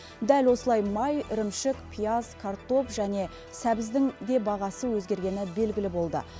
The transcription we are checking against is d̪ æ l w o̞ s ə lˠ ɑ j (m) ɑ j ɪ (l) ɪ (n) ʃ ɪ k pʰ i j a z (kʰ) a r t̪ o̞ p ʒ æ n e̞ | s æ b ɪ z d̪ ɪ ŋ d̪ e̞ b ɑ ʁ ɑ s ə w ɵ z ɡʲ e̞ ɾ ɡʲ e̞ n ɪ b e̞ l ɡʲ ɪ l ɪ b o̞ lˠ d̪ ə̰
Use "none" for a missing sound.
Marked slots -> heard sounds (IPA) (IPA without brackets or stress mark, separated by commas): m, ɾ, m, kʰ